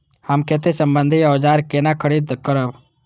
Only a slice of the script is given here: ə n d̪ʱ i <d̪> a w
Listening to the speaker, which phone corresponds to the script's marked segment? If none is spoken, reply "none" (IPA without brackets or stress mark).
none